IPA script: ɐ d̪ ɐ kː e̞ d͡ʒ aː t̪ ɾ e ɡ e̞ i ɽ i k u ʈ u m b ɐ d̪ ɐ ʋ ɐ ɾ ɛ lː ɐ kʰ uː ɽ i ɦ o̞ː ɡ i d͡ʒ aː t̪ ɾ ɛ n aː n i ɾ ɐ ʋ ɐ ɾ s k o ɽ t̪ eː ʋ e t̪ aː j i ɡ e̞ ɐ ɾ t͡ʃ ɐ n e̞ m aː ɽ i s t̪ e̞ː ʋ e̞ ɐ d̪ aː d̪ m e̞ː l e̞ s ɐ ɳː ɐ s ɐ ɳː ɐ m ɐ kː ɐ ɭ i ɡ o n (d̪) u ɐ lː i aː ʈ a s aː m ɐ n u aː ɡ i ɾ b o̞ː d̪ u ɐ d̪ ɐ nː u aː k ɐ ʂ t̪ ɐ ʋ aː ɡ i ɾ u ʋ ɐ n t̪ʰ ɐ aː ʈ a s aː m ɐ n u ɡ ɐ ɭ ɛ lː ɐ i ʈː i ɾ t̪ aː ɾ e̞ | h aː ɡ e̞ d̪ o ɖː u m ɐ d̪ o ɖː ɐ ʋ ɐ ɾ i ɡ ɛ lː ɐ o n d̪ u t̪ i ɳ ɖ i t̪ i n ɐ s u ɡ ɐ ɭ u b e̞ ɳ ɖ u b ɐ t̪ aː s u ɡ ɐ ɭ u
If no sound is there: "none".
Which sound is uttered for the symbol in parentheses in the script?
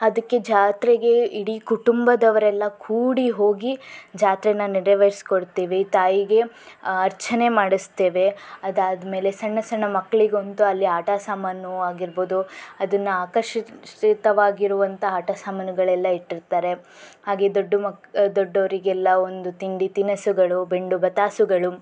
t̪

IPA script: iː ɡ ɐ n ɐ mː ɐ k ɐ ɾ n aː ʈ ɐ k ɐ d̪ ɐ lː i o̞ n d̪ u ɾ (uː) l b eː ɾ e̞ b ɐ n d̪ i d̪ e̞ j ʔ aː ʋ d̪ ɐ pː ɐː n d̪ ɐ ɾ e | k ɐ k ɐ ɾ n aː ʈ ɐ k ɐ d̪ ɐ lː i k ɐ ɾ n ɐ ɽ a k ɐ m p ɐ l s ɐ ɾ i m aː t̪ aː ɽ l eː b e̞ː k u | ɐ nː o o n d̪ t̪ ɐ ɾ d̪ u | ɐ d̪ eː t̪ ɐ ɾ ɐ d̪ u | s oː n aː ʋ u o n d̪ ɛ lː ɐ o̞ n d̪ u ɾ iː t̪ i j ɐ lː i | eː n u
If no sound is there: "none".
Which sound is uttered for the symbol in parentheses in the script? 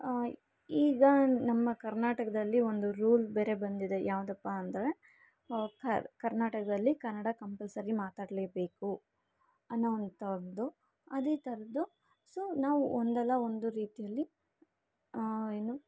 uː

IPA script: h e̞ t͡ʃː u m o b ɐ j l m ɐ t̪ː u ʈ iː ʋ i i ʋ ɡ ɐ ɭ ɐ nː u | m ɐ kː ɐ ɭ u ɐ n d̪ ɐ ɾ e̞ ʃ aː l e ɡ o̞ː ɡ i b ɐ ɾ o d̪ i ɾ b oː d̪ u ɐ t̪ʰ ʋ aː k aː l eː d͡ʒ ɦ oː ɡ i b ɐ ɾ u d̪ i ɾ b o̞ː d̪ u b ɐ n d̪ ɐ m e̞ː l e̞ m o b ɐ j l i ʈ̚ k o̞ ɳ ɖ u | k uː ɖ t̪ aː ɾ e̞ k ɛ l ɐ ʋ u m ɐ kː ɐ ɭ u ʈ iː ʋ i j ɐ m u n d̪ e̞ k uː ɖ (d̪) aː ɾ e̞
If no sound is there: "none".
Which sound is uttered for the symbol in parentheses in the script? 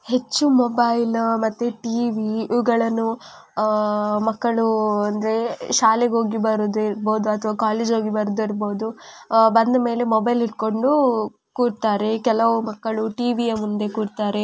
t̪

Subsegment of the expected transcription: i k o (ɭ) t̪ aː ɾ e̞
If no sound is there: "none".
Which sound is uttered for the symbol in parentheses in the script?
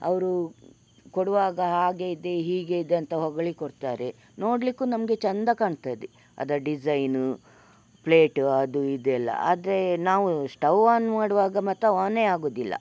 ɽ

